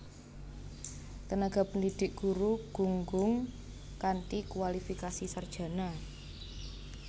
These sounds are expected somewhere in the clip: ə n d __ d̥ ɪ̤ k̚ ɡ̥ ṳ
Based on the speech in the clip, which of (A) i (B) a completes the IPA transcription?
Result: A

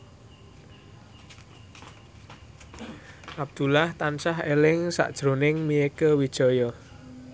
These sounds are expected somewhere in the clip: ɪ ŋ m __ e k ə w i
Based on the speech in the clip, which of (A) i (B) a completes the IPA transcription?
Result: A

